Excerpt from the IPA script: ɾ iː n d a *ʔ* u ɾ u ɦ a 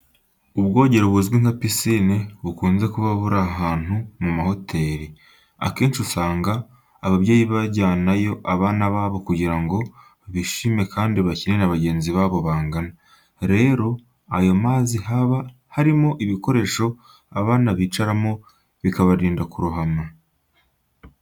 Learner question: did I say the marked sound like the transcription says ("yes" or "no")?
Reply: no